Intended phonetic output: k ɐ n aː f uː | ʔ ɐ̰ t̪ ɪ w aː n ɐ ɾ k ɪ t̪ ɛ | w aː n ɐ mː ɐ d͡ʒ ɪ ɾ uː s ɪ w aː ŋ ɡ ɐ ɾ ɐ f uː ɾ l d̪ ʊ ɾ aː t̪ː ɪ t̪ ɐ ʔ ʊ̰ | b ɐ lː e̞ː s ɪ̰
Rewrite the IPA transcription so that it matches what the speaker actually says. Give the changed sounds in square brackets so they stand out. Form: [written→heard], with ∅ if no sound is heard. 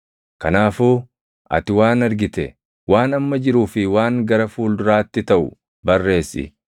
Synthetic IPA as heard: k ɐ n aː f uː | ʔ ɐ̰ t̪ ɪ w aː n ɐ ɾ [k→ɡ] ɪ t̪ ɛ | w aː n ɐ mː ɐ d͡ʒ ɪ ɾ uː [s→f] ɪ w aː ŋ ɡ ɐ ɾ ɐ f uː [ɾ→∅] l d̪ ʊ ɾ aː t̪ː ɪ t̪ ɐ ʔ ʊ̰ | b ɐ [lː→rː] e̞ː s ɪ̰